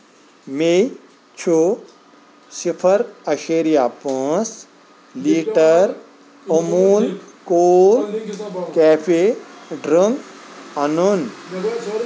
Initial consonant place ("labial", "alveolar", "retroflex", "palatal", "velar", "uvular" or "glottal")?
labial